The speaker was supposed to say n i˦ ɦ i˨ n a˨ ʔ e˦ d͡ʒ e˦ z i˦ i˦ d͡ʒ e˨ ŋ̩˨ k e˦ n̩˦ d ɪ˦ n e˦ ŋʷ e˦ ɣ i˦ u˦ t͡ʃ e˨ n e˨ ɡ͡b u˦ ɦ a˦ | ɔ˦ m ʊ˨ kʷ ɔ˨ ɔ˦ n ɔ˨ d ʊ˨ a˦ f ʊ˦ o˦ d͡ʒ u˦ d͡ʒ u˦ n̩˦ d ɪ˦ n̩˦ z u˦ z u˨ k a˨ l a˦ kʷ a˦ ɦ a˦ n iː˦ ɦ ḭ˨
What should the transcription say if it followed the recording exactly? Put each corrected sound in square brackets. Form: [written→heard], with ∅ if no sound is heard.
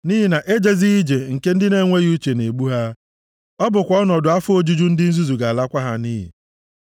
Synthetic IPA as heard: n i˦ ɦ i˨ n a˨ ʔ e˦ d͡ʒ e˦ z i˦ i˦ d͡ʒ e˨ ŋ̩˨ k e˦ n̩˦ d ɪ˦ n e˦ ŋʷ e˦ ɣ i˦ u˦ t͡ʃ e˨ n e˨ ɡ͡b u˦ ɦ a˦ | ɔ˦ [m→b] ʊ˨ kʷ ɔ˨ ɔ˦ n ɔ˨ d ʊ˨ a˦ f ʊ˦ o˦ d͡ʒ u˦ d͡ʒ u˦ n̩˦ d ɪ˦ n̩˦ z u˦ z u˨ [k→ɡ] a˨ l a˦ kʷ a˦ ɦ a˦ n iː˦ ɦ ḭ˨